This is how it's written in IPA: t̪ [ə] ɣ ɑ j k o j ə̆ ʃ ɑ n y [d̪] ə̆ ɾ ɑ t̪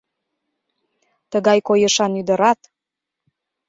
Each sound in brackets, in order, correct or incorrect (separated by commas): correct, correct